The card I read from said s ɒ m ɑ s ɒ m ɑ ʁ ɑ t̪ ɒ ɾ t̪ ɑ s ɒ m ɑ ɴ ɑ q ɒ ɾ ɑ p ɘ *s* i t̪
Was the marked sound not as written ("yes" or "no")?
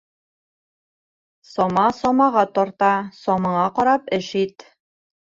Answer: yes